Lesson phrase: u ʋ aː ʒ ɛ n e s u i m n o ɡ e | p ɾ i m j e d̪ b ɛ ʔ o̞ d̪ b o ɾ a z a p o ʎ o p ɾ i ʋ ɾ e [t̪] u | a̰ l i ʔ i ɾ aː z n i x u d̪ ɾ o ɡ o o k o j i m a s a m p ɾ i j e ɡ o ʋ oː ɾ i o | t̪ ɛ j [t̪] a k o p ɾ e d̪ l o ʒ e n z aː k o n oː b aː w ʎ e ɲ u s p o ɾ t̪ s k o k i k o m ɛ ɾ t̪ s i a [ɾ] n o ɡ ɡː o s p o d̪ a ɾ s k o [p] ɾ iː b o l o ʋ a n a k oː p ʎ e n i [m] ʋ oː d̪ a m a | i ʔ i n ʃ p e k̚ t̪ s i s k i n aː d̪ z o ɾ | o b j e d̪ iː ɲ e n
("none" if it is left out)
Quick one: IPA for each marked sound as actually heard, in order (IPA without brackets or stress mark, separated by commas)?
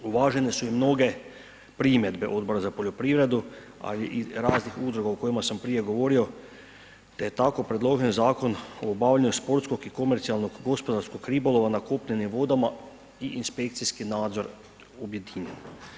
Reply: d̪, t̪, l, k, m